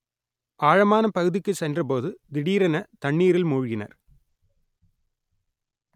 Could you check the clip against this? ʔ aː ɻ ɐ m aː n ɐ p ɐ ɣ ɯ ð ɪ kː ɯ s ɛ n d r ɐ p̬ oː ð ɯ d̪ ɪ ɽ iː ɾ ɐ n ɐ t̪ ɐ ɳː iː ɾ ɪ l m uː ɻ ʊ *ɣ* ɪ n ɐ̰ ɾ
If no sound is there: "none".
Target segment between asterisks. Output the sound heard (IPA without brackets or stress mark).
ɣ